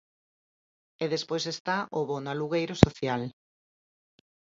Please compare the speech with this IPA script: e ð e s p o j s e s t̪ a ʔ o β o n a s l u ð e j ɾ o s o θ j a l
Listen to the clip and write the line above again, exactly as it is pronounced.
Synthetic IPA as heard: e ð e s p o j s e s t̪ a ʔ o β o n a l u ɣ e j ɾ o s o θ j a l